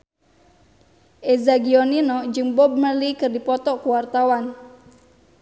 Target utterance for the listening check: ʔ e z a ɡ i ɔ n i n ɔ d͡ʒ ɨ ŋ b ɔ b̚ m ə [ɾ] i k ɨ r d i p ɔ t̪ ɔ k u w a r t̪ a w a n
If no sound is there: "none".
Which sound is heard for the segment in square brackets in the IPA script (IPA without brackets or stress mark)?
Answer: l